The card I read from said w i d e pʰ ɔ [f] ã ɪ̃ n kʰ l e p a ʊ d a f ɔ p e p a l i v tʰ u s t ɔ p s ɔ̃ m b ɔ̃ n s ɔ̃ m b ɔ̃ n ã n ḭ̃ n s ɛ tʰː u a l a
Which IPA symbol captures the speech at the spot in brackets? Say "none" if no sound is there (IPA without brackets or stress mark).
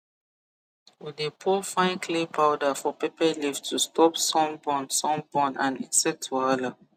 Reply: f